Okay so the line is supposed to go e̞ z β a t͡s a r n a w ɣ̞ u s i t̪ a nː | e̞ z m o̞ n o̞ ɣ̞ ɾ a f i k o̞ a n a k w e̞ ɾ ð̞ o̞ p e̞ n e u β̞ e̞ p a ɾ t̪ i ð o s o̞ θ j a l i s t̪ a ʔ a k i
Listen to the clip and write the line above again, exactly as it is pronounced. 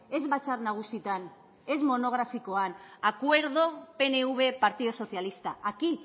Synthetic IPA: e̞ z β a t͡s a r n a ɣ̞ u s i t̪ a n | e̞ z m o̞ n o̞ ɣ̞ ɾ a f i k o̞ a n a k w e̞ ɾ ð̞ o̞ p e̞ n e u β̞ e̞ p a ɾ t̪ i ð o s o̞ θ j a l i s t̪ a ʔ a k i